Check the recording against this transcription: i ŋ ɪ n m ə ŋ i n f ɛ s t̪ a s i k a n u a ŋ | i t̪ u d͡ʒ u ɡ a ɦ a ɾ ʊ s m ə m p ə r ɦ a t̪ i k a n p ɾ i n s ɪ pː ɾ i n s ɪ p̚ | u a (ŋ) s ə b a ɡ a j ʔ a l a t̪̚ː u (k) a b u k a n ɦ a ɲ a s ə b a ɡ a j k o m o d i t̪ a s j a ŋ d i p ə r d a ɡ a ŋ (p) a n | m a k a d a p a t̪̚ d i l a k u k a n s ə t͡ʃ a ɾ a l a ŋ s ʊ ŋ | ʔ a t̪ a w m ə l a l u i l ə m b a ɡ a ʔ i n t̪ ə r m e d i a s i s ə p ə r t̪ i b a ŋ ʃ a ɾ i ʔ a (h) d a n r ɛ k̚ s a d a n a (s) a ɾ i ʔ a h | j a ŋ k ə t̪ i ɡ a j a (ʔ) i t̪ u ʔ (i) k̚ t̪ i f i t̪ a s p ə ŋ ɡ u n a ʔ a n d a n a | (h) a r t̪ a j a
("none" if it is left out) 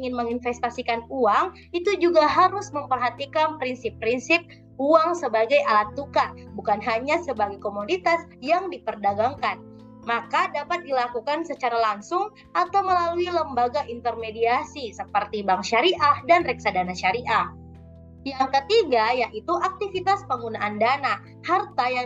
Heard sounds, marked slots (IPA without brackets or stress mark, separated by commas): ŋ, k, k, h, ʃ, ʔ, a, h